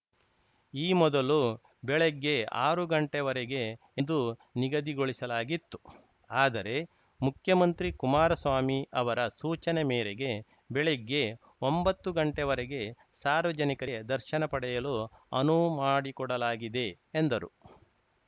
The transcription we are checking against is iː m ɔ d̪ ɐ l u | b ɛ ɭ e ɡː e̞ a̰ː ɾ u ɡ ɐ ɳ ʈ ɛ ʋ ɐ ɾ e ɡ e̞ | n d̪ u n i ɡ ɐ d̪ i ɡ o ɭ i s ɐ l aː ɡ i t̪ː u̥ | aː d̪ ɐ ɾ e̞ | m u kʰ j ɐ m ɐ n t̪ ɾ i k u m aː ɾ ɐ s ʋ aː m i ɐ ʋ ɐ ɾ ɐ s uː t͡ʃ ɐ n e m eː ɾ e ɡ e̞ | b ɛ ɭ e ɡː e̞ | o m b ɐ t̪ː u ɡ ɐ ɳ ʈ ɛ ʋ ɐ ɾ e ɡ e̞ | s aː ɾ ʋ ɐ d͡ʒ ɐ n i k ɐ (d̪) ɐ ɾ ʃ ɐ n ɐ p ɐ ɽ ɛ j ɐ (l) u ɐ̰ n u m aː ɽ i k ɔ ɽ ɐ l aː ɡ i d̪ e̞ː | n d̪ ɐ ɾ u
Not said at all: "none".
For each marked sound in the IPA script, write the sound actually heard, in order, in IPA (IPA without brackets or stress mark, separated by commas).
d̪, l